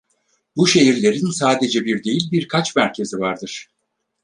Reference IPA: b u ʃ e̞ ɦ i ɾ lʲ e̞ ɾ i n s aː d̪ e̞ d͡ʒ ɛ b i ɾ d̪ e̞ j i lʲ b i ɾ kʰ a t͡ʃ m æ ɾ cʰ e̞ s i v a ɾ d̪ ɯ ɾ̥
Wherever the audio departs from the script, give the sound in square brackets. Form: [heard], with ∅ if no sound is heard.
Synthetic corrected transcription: b u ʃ e̞ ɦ i ɾ lʲ e̞ ɾ i n s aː d̪ e̞ d͡ʒ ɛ b i ɾ d̪ e̞ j i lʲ b i ɾ kʰ a t͡ʃ m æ ɾ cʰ e̞ [z] i v a ɾ d̪ ɯ ɾ̥